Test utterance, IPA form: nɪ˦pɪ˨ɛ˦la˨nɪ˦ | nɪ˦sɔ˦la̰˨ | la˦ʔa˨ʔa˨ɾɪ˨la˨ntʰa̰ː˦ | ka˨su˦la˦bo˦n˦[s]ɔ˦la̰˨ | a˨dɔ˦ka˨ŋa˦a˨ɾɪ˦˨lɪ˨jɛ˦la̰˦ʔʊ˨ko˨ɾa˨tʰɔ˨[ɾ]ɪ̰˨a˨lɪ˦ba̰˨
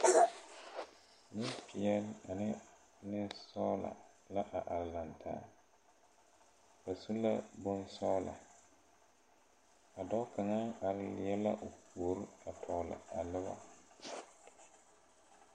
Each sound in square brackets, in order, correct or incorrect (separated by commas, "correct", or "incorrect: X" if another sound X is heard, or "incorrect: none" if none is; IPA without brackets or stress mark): correct, incorrect: l